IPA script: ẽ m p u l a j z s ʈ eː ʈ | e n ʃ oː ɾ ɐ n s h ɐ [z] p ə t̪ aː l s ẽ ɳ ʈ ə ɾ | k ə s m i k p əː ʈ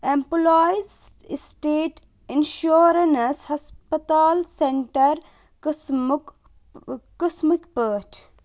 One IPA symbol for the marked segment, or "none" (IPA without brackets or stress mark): s